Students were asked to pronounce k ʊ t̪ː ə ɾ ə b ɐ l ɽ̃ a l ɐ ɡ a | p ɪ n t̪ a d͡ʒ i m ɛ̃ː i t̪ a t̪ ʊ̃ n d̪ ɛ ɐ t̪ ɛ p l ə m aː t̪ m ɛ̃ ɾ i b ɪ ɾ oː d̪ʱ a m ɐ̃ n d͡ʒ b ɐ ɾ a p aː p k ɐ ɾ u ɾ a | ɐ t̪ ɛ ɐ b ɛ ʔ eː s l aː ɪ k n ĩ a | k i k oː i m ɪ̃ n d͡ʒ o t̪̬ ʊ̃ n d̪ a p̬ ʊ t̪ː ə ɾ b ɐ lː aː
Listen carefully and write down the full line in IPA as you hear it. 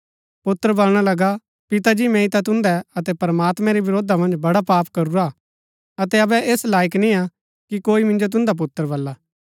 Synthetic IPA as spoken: p ʊ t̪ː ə ɾ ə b ɐ l ɽ̃ a l ɐ ɡ a | p ɪ t̪ a d͡ʒ i m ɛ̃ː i t̪ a t̪ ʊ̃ n d̪ ɛ ɐ t̪ ɛ p ɾ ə m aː t̪ m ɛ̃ ɾ i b ɪ ɾ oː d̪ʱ a m ɐ̃ n d͡ʒ b ɐ ɽ a p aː p k ɐ ɾ u ɾ a | ɐ t̪ ɛ ɐ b ɛ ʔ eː s l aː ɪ k n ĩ a | k i k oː i m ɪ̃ n d͡ʒ o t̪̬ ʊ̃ n d̪ a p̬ ʊ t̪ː ə ɾ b ɐ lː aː

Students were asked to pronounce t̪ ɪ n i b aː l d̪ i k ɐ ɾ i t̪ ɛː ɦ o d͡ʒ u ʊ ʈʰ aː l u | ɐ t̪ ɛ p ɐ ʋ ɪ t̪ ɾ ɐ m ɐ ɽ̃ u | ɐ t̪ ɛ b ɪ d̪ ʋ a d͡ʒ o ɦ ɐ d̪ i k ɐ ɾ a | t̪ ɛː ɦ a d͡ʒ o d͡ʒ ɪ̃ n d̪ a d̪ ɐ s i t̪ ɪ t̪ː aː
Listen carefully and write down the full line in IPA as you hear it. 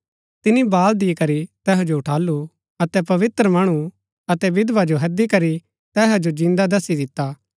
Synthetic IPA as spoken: t̪ ɪ n i b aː l d̪ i k ɐ ɾ i t̪ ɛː ɦ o d͡ʒ o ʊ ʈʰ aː l u | ɐ t̪ ɛ p ɐ ʋ ɪ t̪ ɾ ə m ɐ ɽ̃ u | ɐ t̪ ɛ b ɪ d̪ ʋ a d͡ʒ o ɦ ɐ d̪ i k ɐ ɾ i | t̪ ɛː ɦ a d͡ʒ o d͡ʒ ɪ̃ n d̪ a d̪ ɐ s i d̪ ɪ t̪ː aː

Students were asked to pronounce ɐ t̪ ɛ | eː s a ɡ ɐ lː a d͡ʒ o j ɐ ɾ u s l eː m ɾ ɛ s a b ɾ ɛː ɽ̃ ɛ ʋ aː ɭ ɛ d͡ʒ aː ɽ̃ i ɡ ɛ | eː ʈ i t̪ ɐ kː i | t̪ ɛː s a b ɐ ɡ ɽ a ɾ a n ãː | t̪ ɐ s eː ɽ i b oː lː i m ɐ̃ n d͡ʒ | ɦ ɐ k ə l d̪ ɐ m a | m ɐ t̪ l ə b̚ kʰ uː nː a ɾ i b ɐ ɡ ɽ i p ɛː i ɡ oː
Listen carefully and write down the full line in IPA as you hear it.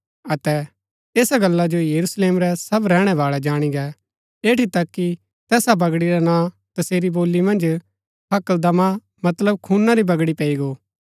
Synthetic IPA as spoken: ɐ t̪ ɛ | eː s a ɡ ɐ lː a d͡ʒ o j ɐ ɾ u s l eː m ɾ ɛ s ɐ b ɾ ɛː ɽ̃ ɛ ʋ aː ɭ ɛ d͡ʒ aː ɽ̃ i ɡ ɛ | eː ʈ i t̪ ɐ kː i | t̪ ɛː s a b ɐ ɡ ɽ i ɾ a n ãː | t̪ ɐ s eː ɾ i b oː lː i m ɐ̃ n d͡ʒ | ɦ ɐ k ə l d̪ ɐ m a | m ɐ t̪ l ə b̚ kʰ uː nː a ɾ i b ɐ ɡ ɽ i p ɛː i ɡ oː

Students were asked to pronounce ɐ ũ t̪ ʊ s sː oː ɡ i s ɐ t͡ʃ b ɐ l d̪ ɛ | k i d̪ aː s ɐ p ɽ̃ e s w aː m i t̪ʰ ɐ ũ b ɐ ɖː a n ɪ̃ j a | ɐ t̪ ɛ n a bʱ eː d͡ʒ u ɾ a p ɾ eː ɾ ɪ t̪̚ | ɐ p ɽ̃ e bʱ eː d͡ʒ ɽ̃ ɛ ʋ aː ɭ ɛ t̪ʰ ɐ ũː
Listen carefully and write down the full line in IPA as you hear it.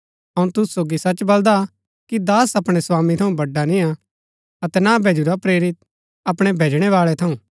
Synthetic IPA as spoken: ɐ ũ t̪ ʊ s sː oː ɡ i s ɐ t͡ʃ b ɐ l d̪ a | k i d̪ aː s ɐ p ɽ̃ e s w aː m i t̪ʰ ɐ ũ b ɐ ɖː a n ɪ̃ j a | ɐ t̪ ɛ n a bʱ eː d͡ʒ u ɾ a p ɾ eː ɾ ɪ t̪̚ | ɐ p ɽ̃ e bʱ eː d͡ʒ ɽ̃ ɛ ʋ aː ɭ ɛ t̪ʰ ɐ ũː

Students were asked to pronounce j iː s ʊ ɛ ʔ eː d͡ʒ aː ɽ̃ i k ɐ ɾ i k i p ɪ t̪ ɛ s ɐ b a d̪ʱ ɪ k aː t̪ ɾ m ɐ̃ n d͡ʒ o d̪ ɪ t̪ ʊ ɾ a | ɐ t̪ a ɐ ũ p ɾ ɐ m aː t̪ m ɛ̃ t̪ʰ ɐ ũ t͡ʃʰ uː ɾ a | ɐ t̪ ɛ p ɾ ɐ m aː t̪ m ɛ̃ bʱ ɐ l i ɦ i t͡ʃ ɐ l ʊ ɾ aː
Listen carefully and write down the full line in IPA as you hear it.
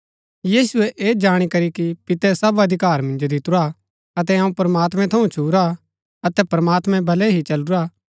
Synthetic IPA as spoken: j iː s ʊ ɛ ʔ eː d͡ʒ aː ɽ̃ i k ɐ ɾ i k i p ɪ t̪ ɛ s ɐ b ɐ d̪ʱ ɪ k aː ɾ m ɐ̃ n d͡ʒ o d̪ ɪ t̪ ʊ ɾ a | ɐ t̪ ɛ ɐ ũ p ɾ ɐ m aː t̪ m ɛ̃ t̪ʰ ɐ ũ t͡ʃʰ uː ɾ a | ɐ t̪ ɛ p ɾ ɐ m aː t̪ m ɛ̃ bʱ ɐ l ɛ ɦ i t͡ʃ ɐ l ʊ ɾ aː

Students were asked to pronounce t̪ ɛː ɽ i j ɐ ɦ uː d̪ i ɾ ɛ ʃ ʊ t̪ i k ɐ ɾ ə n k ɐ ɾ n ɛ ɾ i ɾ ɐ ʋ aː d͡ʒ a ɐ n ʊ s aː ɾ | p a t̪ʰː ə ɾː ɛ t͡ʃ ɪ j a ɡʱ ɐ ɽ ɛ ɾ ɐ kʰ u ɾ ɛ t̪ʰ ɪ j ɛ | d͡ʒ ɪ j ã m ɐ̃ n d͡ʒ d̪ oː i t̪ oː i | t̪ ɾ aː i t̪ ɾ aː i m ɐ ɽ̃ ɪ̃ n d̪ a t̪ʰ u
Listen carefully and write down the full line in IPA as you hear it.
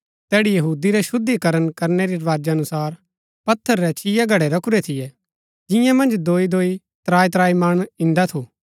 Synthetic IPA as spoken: t̪ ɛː ɽ i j ɐ ɦ uː d̪ i ɾ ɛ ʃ ʊ d̪ i k ɐ ɾ ə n k ɐ ɾ n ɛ ɾ i ɾ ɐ ʋ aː d͡ʒ a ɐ n ʊ s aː ɾ | p ɐ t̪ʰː ə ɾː ɛ t͡ʃ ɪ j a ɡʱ ɐ ɽ ɛ ɾ ɐ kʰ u ɾ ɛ t̪ʰ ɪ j ɛ | d͡ʒ ɪ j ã m ɐ̃ n d͡ʒ d̪ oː i d̪ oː i | t̪ ɾ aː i t̪ ɾ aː i m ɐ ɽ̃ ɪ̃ n d̪ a t̪ʰ u

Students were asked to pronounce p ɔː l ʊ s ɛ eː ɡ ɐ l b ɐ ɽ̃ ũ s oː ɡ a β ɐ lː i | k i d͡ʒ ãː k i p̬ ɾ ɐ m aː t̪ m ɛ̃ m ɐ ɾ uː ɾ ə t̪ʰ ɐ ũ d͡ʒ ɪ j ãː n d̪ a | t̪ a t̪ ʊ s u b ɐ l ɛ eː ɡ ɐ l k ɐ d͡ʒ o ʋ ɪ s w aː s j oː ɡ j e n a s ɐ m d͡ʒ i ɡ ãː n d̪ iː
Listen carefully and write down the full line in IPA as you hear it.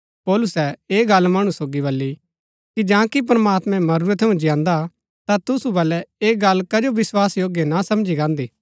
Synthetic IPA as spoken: p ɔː l ʊ s ɛ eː ɡ ɐ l m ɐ ɽ̃ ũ s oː ɡ i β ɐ lː i | k i d͡ʒ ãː k i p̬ ɾ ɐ m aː t̪ m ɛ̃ m ɐ ɾ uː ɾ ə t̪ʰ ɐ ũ d͡ʒ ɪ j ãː n d̪ a | t̪ a t̪ ʊ s u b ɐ l ɛ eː ɡ ɐ l k ɐ d͡ʒ o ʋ ɪ s w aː s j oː ɡ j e n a s ɐ m d͡ʒ i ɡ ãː n d̪ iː

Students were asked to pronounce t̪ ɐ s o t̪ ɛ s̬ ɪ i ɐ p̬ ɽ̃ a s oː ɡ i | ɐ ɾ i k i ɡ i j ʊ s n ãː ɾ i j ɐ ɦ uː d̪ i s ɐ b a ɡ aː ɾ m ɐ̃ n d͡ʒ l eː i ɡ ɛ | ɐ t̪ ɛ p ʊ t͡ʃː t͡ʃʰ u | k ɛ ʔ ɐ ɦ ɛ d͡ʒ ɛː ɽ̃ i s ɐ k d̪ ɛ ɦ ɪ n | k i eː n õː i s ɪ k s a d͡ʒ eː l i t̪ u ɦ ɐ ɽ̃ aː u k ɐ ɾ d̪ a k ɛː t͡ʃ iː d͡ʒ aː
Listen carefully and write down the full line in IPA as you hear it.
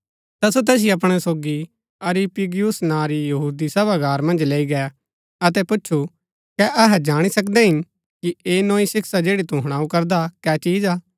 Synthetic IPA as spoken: t̪ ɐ s o t̪ ɛː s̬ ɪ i ɐ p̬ ɽ̃ ɛ s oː ɡ i | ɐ ɾ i p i ɡ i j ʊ s n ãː ɾ i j ɐ ɦ uː d̪ i s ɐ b a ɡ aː ɾ m ɐ̃ n d͡ʒ l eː i ɡ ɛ | ɐ t̪ ɛ p ʊ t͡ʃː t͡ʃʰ u | k ɛ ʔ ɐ ɦ ɛ d͡ʒ aː ɽ̃ i s ɐ k d̪ ɛ ɦ ɪ n | k i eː n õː i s ɪ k s a d͡ʒ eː ɽ i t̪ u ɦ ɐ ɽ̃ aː u k ɐ ɾ d̪ a k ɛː t͡ʃ iː d͡ʒ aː

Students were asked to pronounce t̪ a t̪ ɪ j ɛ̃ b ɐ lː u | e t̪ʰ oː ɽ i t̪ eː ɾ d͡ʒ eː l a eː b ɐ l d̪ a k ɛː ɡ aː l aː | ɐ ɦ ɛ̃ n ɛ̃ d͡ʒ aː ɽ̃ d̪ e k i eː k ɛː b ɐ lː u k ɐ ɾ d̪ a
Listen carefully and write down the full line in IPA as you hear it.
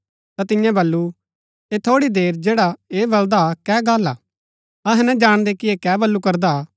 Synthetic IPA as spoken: t̪ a t̪ ɪ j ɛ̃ b ɐ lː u | e t̪ʰ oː ɽ i d̪ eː ɾ d͡ʒ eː ɽ a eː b ɐ l d̪ a k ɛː ɡ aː l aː | ɐ ɦ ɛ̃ n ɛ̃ d͡ʒ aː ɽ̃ d̪ e k i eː k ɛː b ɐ lː u k ɐ ɾ d̪ a

